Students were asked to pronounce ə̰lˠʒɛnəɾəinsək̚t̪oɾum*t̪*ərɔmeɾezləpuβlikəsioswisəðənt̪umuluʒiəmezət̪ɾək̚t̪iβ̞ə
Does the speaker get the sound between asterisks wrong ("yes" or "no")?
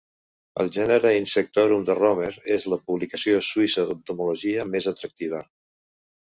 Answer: yes